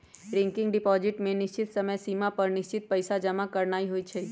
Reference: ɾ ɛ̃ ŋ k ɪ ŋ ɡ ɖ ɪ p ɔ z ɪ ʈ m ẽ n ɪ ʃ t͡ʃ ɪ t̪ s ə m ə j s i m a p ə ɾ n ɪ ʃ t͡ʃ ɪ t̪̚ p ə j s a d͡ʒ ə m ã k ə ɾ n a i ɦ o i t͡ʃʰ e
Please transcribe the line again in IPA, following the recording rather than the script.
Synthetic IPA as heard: ɾ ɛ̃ ŋ k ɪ ŋ ɡ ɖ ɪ p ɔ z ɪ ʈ m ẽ n ɪ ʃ t͡ʃ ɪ t̪ s ə m ə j s i m a p ə ɾ n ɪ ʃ t͡ʃ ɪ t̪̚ p ə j s a d͡ʒ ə m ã k ə ɾ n a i ɦ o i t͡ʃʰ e